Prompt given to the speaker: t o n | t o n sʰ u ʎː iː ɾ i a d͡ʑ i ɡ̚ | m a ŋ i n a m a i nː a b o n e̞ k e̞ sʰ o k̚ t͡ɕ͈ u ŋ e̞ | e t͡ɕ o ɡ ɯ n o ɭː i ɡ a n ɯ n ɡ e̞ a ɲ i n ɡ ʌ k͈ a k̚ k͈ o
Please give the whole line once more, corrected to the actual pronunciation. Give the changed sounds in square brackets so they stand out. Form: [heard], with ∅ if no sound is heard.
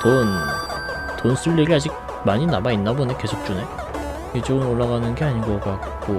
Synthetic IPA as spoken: t o n | t o n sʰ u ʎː [i] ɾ i a d͡ʑ i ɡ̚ | m a [ɲ] i n a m a i nː a b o n e̞ k e̞ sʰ o k̚ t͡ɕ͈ u [n] e̞ | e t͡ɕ o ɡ ɯ n o ɭː [a] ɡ a n ɯ n ɡ e̞ a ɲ i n ɡ ʌ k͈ a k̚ k͈ o

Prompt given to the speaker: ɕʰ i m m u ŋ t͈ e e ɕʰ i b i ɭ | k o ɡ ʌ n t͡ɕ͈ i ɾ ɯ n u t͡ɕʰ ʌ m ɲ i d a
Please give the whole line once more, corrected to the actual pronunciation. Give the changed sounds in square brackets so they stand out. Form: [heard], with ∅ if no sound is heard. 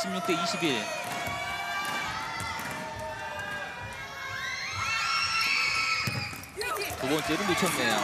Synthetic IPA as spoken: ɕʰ i m [ɲ] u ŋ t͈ e [i] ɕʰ i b i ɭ | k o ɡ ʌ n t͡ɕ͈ [e] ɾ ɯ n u t͡ɕʰ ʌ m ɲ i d a

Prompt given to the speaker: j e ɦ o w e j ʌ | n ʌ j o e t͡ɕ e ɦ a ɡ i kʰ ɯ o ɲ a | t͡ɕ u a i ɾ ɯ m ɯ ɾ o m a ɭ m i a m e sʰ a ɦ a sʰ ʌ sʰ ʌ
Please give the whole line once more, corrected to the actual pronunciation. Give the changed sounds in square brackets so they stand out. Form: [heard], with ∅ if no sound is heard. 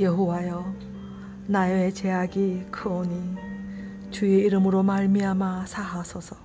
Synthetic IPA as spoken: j e ɦ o w [a] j ʌ | n [a] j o e t͡ɕ e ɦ a ɡ i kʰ ɯ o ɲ [i] | t͡ɕ u [e] i ɾ ɯ m ɯ ɾ o m a ɭ m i a m [a] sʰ a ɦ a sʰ ʌ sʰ ʌ

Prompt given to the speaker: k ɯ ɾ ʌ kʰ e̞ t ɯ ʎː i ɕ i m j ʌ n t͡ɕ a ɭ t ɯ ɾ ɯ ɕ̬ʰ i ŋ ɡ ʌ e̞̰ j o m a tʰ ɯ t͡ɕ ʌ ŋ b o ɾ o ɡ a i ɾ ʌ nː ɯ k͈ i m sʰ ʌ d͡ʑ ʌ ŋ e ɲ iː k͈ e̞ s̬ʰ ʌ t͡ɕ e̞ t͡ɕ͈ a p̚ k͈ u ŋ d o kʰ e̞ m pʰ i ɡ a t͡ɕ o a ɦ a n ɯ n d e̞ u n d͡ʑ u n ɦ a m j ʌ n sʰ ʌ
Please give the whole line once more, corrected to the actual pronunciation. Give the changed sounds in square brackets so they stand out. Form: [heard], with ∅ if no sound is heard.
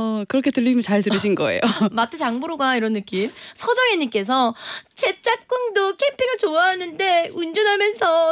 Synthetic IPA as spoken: k ɯ ɾ ʌ kʰ e̞ t ɯ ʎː i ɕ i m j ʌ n t͡ɕ a ɭ t ɯ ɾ ɯ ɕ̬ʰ i [n] ɡ ʌ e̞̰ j o m a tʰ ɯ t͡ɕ [a] ŋ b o ɾ o ɡ a i ɾ ʌ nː ɯ k͈ i m sʰ ʌ d͡ʑ ʌ ŋ e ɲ [i] k͈ e̞ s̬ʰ ʌ t͡ɕ e̞ t͡ɕ͈ a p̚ k͈ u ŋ d o kʰ e̞ m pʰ i ɡ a t͡ɕ o a ɦ a n ɯ n d e̞ u n d͡ʑ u n ɦ a m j ʌ n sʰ ʌ

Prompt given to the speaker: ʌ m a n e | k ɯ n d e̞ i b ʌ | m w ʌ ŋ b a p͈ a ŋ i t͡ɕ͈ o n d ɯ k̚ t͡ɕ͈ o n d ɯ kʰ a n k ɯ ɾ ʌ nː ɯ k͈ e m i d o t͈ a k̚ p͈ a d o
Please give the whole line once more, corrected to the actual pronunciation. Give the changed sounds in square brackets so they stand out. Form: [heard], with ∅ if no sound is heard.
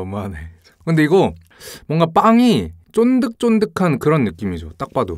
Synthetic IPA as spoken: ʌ m a n e | k ɯ n d e̞ i [ɡ] ʌ | m w ʌ ŋ [ɡ] a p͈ a ŋ i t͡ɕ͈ o n d ɯ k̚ t͡ɕ͈ o n d ɯ kʰ a n k ɯ ɾ ʌ nː ɯ k͈ [i] m i [d͡ʑ] o t͈ a k̚ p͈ a d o

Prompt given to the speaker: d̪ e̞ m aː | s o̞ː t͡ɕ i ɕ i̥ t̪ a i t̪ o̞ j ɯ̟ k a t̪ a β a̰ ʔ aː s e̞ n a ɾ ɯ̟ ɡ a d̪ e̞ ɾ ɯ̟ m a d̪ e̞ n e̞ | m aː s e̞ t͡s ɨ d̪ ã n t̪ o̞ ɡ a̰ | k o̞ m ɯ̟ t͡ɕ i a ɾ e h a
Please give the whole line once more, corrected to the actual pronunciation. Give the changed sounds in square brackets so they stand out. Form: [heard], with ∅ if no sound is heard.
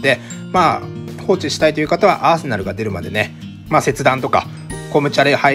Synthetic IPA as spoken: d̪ e̞ m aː | [h] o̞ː t͡ɕ i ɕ i̥ t̪ a i t̪ o̞ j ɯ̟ k a t̪ a β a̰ ʔ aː s e̞ n a ɾ ɯ̟ ɡ a d̪ e̞ ɾ ɯ̟ m a d̪ e̞ n e̞ | m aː s e̞ t͡s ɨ d̪ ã n t̪ o̞ [k] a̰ | k o̞ m ɯ̟ t͡ɕ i a ɾ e h a

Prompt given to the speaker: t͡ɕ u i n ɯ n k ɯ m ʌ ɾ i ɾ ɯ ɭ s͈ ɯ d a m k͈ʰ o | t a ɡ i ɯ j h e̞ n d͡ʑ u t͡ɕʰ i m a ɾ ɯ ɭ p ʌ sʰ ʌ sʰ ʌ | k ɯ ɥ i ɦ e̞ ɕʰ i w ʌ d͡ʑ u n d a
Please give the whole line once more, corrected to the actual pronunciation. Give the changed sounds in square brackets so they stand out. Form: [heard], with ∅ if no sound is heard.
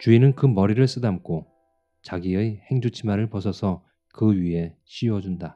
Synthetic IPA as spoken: t͡ɕ u i n ɯ n k ɯ m ʌ ɾ i ɾ ɯ ɭ s͈ ɯ d a m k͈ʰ o | [t͡ɕ] a ɡ i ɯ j h e̞ [ŋ] d͡ʑ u t͡ɕʰ i m a ɾ ɯ ɭ p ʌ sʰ ʌ sʰ ʌ | k ɯ ɥ i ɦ e̞ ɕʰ i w ʌ d͡ʑ u n d a

